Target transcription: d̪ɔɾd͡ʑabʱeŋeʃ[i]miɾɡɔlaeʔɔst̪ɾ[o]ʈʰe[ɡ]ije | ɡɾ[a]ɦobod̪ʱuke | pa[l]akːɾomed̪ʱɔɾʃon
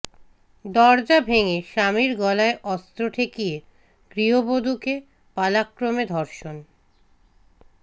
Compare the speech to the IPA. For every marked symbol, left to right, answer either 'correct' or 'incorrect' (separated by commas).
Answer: incorrect, correct, incorrect, incorrect, correct